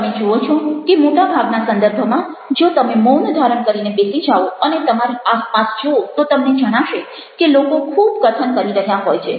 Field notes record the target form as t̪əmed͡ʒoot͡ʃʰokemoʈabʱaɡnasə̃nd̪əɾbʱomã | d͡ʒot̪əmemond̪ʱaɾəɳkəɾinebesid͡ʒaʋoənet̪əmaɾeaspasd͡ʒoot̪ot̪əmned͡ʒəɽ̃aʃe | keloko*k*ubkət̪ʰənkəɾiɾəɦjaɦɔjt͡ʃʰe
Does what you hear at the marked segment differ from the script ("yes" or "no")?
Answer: yes